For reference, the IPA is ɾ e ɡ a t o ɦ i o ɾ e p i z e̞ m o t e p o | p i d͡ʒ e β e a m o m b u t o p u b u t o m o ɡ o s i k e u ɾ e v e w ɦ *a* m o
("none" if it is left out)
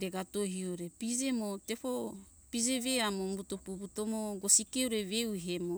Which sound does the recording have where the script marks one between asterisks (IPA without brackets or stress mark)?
e